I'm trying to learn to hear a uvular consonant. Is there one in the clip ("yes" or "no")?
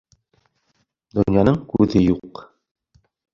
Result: yes